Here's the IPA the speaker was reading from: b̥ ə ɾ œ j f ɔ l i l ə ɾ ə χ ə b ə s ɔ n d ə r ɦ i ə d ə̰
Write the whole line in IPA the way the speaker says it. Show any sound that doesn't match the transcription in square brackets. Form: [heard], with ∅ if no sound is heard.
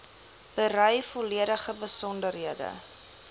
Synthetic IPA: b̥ ə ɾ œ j f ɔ l i [∅] ə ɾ ə χ ə b ə s ɔ n d ə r ɦ i ə d ə̰